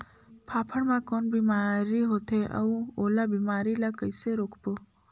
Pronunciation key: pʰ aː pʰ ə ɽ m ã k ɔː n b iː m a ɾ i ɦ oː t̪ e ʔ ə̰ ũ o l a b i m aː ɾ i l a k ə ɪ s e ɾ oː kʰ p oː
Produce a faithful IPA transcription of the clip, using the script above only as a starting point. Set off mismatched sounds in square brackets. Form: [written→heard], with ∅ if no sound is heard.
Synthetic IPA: pʰ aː pʰ ə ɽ m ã k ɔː n b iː m a ɾ i ɦ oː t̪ e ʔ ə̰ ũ o l a b i m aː ɾ i l a k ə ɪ s e ɾ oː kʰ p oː